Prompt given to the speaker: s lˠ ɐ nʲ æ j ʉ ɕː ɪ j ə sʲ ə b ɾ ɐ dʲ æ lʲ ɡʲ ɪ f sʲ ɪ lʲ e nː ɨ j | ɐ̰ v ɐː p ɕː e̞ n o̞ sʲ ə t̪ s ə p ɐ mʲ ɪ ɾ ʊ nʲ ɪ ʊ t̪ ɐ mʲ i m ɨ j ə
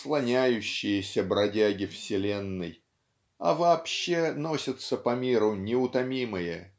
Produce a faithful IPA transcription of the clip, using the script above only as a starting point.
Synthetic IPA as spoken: s lˠ ɐ nʲ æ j ʉ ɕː ɪ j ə sʲ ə b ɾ ɐ dʲ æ ɡʲ ɪ f sʲ ɪ lʲ e nː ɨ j | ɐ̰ v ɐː p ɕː e̞ n o̞ sʲ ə t̪ s ə p ɐ mʲ i ɾ ʊ nʲ ɪ ʊ t̪ ɐ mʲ i m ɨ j ə